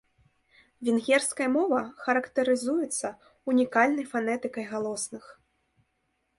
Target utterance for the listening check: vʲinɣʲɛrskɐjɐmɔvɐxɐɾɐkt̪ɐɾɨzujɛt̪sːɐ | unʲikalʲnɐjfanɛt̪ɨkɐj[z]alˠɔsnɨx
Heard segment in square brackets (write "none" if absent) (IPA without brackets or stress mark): ɣ